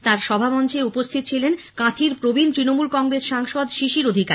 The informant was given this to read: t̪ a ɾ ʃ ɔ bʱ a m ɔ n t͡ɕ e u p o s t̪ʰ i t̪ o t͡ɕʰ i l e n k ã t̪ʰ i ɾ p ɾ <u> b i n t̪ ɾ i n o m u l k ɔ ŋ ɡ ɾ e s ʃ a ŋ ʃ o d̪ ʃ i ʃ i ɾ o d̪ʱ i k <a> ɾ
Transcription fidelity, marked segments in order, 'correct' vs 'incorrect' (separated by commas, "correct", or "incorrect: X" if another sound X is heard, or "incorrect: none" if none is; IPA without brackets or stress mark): incorrect: o, correct